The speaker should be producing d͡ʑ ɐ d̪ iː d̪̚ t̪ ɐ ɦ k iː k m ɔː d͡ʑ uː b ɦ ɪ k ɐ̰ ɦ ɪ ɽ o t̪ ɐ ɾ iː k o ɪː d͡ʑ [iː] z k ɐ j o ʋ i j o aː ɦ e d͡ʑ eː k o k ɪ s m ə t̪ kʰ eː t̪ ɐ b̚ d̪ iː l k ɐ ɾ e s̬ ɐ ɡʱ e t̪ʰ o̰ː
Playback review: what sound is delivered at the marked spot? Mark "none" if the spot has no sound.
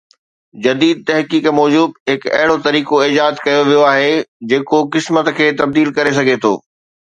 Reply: aː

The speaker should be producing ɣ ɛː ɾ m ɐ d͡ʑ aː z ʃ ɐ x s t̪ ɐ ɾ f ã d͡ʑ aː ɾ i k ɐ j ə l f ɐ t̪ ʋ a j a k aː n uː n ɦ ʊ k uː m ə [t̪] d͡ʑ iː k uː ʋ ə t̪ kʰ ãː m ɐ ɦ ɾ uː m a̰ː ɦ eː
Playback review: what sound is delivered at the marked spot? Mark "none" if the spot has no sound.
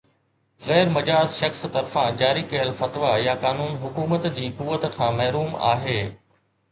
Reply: t̪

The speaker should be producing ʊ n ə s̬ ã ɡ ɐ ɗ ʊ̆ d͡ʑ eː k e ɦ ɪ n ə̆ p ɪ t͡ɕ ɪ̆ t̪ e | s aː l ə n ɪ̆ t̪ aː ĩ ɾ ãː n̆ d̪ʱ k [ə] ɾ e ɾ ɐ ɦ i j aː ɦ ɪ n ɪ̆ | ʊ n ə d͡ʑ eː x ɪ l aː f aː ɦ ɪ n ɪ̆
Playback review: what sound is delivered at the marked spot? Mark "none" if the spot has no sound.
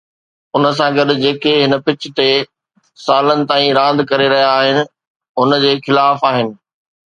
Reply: ɐ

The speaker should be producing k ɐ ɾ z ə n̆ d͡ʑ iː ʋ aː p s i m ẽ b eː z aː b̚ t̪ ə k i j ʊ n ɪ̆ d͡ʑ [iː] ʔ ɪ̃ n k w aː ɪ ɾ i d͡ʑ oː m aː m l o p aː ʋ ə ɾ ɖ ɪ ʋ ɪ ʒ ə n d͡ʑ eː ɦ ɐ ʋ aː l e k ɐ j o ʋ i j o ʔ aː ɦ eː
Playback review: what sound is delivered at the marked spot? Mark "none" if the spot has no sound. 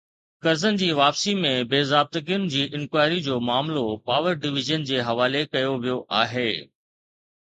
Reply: iː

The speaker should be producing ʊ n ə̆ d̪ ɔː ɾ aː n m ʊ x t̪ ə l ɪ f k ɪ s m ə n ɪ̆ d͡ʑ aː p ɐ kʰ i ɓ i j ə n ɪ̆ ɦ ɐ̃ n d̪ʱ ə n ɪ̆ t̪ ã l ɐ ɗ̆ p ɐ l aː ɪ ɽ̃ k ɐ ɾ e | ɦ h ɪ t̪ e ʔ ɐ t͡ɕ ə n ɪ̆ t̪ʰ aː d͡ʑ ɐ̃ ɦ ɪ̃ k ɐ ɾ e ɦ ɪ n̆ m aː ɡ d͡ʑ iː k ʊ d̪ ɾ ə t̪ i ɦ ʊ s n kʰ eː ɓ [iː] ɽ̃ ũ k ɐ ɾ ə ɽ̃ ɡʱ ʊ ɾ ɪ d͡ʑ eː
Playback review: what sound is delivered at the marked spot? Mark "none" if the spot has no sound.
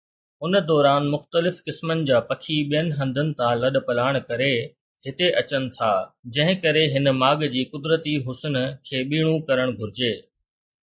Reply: iː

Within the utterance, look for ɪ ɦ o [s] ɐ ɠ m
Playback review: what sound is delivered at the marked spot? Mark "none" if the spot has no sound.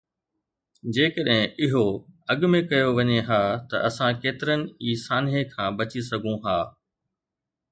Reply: none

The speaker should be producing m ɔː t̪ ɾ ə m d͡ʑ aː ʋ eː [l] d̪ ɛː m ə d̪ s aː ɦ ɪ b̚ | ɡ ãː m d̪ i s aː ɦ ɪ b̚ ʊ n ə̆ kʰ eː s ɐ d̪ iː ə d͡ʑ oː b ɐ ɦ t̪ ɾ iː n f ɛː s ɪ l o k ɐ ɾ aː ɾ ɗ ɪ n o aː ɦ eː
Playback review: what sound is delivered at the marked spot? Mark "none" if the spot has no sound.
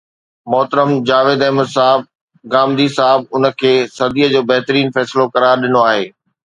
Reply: none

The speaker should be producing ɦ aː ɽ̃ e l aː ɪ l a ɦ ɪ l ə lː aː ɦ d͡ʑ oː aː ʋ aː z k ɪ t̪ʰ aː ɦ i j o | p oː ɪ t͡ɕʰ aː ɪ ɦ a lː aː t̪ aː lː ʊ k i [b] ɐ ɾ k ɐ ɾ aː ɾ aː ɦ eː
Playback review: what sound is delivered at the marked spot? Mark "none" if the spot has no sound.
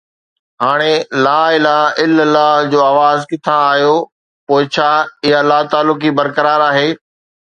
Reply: b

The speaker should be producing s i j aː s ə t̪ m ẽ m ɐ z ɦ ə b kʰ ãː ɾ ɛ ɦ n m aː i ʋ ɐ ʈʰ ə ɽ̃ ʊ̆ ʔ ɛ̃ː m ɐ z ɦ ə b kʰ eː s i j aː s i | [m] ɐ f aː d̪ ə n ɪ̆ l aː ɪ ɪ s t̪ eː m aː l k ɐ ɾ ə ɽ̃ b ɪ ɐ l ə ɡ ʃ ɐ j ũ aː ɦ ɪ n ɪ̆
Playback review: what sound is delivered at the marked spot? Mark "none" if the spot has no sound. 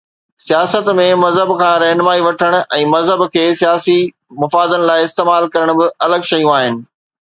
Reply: m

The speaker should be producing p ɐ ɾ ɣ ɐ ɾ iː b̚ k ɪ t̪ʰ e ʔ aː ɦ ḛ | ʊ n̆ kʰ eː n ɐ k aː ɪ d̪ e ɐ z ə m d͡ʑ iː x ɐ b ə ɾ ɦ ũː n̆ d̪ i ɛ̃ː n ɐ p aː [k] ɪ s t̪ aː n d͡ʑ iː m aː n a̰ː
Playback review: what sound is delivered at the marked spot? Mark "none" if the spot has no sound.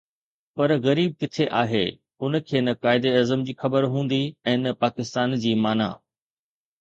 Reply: k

